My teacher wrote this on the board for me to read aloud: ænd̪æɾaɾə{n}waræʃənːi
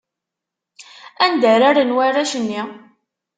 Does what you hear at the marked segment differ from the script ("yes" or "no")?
no